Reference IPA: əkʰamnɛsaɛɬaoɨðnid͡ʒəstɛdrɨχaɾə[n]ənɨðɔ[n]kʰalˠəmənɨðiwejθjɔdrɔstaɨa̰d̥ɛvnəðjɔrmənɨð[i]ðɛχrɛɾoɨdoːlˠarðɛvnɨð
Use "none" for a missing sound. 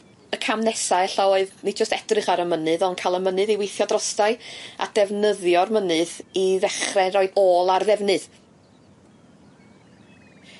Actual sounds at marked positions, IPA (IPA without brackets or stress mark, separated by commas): m, n, i